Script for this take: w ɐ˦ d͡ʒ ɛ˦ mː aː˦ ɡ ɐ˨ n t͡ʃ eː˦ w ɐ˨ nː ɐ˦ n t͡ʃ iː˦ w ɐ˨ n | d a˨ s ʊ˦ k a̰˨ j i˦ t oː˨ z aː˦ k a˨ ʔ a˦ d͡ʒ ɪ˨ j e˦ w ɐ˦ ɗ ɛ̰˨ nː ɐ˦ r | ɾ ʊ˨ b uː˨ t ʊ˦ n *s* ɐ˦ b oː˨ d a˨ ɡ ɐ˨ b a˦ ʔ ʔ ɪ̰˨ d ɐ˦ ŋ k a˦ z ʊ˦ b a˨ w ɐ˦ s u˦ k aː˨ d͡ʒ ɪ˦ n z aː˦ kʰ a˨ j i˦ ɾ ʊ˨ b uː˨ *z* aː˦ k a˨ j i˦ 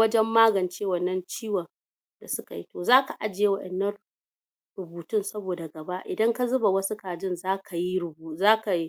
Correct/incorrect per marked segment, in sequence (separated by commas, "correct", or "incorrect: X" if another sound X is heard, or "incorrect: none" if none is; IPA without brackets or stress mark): correct, correct